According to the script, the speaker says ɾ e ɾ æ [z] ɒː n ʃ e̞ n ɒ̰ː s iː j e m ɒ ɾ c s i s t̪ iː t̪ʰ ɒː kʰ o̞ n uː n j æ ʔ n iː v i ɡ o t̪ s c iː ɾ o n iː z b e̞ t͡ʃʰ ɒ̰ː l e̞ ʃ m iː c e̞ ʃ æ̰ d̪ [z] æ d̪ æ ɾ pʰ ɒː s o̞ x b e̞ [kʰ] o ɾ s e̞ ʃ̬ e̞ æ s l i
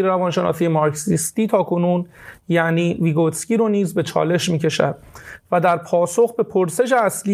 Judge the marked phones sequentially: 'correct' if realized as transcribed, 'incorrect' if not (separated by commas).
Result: incorrect, incorrect, incorrect